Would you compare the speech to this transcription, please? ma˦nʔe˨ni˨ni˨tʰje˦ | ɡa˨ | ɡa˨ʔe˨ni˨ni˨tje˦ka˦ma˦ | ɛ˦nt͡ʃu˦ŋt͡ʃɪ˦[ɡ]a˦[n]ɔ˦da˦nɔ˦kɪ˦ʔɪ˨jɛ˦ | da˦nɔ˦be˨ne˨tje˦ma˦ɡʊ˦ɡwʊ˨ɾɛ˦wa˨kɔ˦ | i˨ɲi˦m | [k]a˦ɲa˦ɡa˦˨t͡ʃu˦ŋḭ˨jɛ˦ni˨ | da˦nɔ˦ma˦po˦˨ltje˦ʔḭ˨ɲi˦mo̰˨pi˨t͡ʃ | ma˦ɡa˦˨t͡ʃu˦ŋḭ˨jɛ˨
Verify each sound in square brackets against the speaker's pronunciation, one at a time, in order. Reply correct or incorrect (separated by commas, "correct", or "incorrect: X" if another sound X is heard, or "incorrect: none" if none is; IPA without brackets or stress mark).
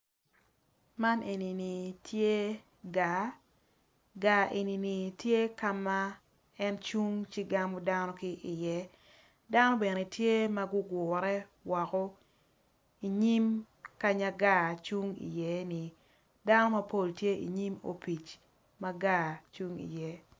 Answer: correct, incorrect: m, correct